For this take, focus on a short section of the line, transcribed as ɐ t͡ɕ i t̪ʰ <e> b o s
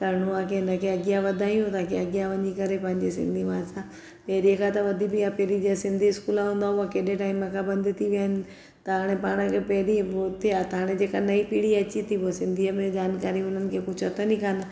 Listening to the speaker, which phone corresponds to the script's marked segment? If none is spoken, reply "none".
i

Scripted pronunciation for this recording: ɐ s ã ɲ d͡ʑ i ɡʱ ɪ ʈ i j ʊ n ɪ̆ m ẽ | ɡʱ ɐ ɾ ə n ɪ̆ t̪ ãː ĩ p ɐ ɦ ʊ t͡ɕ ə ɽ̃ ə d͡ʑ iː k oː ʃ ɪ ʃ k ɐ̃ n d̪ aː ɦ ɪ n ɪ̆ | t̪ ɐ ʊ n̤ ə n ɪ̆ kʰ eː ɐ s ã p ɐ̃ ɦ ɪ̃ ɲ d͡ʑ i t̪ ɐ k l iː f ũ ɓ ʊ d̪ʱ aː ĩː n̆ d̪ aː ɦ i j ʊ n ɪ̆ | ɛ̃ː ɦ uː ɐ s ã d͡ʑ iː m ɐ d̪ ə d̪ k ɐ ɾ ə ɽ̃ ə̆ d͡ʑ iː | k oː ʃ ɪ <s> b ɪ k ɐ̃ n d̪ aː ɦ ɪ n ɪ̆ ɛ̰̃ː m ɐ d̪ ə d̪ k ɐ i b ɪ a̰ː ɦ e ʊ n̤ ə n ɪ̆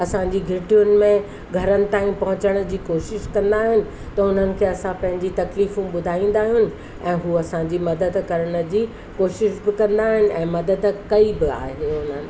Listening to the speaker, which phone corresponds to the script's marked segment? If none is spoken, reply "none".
ʃ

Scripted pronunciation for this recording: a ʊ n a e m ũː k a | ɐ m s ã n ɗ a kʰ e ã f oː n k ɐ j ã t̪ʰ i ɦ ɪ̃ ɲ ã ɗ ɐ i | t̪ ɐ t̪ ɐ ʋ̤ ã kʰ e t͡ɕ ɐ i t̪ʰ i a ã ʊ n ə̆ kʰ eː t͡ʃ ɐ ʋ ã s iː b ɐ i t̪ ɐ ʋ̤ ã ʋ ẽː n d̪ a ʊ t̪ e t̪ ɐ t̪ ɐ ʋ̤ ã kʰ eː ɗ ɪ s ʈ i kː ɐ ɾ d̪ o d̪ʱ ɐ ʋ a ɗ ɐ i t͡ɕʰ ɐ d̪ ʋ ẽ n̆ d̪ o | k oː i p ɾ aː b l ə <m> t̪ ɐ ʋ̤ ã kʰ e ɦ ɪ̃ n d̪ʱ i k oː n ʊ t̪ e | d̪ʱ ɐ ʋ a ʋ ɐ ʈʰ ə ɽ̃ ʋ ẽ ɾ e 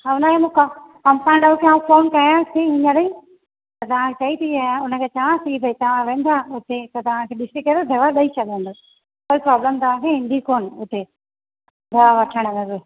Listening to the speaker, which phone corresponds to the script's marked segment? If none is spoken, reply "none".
m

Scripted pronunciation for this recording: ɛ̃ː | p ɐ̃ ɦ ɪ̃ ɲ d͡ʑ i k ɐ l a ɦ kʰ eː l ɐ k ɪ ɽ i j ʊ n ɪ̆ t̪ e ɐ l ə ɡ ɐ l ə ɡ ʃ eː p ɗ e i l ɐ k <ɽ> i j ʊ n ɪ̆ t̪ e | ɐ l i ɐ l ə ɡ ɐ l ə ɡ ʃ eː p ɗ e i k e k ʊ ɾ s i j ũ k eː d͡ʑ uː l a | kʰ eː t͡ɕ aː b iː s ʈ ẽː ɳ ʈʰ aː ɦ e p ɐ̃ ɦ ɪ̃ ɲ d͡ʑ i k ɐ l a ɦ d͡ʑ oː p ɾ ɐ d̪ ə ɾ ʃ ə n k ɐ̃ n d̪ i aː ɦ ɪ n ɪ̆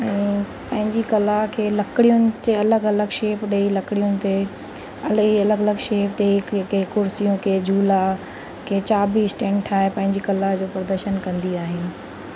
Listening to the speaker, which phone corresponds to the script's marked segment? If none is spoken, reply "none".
ɽ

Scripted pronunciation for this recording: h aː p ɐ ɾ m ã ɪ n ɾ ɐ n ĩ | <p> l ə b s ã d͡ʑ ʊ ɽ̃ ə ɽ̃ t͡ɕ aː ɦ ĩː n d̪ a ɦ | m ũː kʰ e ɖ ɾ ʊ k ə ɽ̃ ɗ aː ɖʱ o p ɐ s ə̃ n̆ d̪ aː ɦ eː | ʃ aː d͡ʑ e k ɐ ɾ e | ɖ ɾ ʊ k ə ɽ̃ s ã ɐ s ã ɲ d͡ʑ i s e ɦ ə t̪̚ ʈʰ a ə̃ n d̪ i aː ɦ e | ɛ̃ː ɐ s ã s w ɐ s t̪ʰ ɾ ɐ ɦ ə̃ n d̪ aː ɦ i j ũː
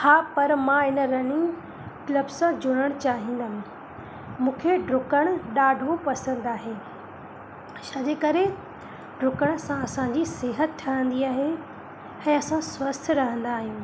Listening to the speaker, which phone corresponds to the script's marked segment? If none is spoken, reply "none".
k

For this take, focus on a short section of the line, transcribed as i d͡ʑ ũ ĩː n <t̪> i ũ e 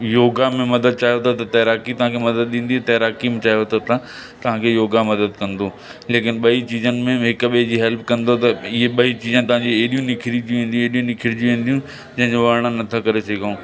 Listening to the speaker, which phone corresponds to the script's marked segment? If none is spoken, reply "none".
d̪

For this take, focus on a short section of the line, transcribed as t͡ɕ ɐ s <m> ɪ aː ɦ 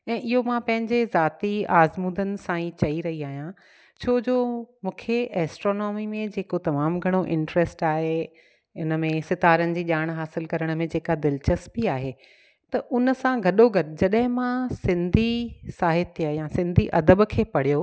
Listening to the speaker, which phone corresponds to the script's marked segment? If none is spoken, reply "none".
b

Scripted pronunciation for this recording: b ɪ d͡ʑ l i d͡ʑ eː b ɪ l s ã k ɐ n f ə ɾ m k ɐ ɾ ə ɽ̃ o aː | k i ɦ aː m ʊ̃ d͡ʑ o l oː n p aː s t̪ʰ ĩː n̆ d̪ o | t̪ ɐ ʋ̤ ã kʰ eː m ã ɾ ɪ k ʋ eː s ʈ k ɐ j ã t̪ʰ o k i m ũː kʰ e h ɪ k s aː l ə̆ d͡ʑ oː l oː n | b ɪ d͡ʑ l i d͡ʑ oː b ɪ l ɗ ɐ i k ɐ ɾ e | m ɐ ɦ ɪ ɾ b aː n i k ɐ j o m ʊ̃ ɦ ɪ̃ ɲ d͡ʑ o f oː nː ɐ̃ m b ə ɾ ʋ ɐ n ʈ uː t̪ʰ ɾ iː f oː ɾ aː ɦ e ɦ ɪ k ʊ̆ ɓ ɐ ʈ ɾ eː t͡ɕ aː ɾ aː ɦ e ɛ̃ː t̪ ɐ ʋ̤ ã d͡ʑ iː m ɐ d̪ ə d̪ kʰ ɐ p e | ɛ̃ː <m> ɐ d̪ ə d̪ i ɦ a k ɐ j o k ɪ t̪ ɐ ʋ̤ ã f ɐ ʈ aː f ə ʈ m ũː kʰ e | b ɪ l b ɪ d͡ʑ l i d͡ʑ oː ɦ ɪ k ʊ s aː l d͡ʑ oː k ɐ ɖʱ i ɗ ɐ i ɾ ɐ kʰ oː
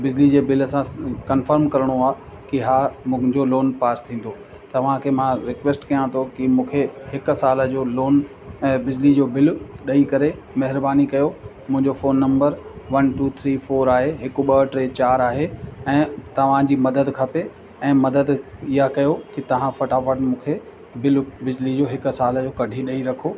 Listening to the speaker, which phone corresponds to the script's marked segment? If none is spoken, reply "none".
m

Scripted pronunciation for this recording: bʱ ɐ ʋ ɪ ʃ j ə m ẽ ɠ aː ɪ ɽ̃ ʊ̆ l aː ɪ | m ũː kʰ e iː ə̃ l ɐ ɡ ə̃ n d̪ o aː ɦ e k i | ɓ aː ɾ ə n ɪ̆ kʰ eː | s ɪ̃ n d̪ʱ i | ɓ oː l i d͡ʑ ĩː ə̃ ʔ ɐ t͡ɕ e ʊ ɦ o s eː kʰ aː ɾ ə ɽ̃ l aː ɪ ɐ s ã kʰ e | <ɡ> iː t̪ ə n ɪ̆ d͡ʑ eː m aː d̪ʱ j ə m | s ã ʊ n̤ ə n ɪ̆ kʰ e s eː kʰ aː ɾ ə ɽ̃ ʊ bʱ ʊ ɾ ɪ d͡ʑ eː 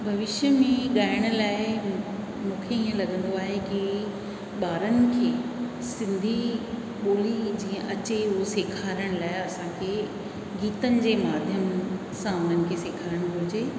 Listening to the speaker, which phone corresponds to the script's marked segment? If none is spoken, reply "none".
ɡ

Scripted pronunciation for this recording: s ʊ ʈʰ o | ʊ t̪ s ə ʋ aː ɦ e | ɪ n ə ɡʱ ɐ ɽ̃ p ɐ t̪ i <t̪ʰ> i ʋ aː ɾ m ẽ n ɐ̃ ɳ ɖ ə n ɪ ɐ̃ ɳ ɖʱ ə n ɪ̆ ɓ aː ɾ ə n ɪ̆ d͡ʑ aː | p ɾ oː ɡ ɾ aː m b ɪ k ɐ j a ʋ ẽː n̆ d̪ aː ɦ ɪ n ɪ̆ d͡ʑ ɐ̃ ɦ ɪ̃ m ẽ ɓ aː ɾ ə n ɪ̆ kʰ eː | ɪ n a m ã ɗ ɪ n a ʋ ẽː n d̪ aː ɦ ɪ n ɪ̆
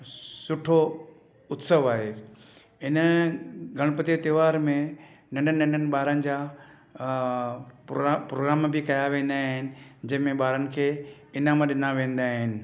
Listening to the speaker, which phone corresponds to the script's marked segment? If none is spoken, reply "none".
t̪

